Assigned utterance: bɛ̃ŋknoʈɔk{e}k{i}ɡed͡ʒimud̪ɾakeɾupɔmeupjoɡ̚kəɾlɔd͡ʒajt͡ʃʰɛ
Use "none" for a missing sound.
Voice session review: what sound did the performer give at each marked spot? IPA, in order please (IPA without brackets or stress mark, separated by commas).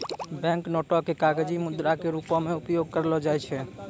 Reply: e, a